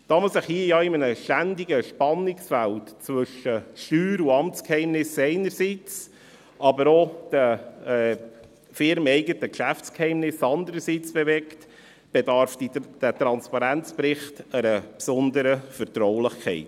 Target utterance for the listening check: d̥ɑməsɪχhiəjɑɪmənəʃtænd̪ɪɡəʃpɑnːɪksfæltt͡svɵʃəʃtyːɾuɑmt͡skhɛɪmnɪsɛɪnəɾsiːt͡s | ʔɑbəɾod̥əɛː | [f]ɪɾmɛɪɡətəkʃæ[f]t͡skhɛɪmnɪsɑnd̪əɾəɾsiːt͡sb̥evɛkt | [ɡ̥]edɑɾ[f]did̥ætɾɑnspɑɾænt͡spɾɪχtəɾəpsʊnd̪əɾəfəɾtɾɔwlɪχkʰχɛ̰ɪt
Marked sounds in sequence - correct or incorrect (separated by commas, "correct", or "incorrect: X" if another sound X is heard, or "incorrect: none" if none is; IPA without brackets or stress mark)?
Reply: correct, correct, incorrect: b̥, correct